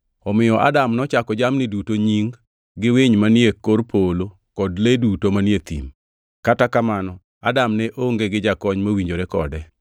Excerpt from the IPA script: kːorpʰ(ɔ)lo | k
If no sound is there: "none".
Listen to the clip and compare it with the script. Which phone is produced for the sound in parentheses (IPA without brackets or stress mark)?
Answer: o